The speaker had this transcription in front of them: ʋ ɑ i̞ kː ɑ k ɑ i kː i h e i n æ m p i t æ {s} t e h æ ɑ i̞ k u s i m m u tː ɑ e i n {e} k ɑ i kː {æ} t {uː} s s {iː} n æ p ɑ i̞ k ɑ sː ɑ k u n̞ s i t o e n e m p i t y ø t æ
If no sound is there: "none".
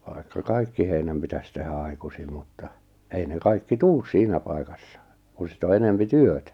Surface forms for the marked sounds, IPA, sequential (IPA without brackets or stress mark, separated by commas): s, e, i, uː, iː